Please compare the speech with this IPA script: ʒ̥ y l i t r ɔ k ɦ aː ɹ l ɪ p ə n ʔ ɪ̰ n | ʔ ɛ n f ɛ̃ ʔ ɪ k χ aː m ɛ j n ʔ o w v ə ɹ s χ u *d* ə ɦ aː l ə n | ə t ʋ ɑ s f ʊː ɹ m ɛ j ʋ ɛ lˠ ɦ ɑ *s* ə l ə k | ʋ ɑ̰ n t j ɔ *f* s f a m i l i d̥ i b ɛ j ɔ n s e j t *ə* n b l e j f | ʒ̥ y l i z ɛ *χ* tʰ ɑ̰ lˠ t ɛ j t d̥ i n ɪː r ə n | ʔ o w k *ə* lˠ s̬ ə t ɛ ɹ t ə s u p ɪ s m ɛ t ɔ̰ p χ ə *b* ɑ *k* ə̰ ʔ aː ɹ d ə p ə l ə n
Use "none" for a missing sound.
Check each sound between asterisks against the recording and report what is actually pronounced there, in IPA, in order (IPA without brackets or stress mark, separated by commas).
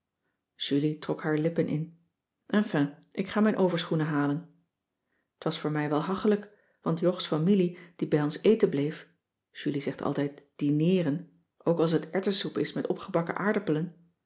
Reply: n, χ, χ, ə, χ, ɑ, b, k